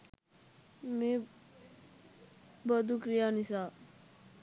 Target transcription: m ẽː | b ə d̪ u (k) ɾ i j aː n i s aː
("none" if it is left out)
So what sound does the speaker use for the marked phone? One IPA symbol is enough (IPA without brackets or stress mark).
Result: k